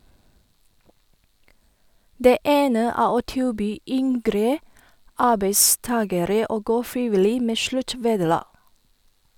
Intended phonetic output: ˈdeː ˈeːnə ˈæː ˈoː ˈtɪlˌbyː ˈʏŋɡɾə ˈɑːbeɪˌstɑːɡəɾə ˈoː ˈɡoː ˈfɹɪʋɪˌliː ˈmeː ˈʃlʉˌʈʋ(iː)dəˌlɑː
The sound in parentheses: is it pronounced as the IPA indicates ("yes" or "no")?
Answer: no